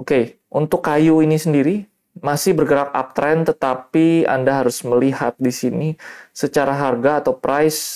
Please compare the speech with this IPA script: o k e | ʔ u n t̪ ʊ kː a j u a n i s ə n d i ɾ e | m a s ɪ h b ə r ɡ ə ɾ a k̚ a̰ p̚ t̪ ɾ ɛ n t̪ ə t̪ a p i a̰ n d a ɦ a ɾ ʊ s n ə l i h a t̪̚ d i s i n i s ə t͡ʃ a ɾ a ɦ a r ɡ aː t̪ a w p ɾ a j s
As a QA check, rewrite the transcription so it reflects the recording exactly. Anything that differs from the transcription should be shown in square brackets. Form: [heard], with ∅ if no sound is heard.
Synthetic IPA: o k e | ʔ u n t̪ ʊ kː a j u [i] n i s ə n d i ɾ [i] | m a s ɪ h b ə r ɡ ə ɾ a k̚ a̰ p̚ t̪ ɾ ɛ n t̪ ə t̪ a p i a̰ n d a ɦ a ɾ ʊ s [m] ə l i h a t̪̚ d i s i n i s ə t͡ʃ a ɾ a ɦ a r ɡ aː t̪ a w p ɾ a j s